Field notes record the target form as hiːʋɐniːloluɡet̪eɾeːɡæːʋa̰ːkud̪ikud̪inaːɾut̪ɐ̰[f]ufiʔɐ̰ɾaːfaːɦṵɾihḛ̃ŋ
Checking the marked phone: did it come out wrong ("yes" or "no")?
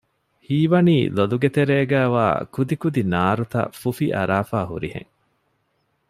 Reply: no